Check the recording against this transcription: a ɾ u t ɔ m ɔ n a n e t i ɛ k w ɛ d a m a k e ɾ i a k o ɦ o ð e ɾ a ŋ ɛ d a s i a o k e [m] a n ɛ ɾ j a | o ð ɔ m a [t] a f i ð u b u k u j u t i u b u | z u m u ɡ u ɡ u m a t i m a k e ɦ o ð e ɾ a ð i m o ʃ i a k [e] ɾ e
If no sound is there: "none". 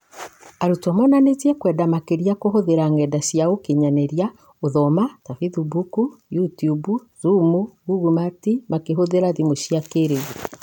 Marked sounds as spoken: ɲ, t, e

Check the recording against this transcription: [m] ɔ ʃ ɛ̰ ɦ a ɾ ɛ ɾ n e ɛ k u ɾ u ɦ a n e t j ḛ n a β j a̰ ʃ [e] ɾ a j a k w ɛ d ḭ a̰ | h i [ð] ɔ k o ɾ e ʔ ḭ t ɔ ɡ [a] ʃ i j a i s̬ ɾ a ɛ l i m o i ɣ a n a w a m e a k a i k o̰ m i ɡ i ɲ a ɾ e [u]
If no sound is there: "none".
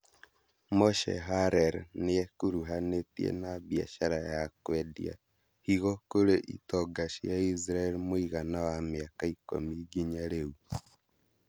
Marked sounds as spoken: m, a, ɣ, a, u

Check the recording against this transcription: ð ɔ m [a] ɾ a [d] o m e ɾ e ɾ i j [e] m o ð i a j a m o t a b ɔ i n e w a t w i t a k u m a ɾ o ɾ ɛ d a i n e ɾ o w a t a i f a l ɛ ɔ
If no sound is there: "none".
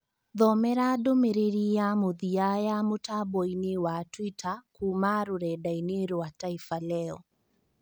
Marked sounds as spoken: ɛ, d, a

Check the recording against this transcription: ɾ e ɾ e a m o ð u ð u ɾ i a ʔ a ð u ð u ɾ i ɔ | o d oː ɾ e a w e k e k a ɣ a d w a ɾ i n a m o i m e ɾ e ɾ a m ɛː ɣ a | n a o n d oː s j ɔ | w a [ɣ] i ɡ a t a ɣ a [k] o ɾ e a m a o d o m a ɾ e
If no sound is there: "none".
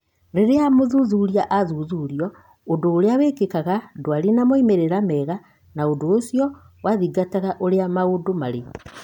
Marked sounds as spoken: ð, ʔ

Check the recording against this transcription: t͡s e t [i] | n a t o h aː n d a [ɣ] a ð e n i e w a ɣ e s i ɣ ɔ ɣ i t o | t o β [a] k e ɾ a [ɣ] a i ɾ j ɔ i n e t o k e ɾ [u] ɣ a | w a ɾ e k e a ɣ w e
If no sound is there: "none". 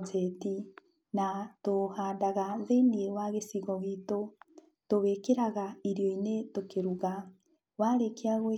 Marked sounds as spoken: i, ɣ, e, ɣ, u

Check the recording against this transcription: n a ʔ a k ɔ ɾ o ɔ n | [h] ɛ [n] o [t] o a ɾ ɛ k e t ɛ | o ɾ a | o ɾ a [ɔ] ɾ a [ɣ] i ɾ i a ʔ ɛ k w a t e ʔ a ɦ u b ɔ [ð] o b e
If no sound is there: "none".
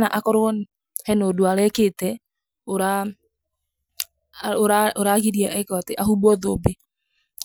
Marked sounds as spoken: h, n, d, o, ɣ, ð

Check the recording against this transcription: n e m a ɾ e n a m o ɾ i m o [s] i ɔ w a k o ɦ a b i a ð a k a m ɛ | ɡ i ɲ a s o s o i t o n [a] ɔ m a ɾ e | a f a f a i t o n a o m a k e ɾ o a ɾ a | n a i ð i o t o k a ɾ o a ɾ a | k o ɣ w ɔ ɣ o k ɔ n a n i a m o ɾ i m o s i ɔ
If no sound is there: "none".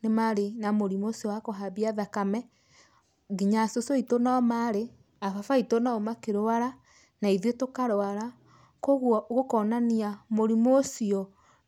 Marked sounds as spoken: s, a

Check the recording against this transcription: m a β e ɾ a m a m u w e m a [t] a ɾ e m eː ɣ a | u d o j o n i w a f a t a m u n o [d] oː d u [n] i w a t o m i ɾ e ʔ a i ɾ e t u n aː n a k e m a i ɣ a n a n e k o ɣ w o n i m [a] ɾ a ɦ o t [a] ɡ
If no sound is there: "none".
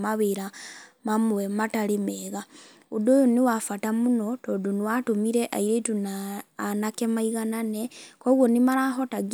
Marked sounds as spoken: t, t, n, a, a

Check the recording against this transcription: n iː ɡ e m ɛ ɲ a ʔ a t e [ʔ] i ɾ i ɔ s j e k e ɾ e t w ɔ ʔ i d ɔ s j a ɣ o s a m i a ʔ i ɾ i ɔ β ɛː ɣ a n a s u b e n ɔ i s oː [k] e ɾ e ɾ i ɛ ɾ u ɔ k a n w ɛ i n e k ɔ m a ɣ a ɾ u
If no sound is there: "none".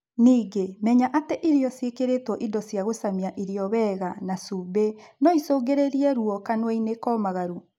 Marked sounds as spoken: ʔ, ɡ

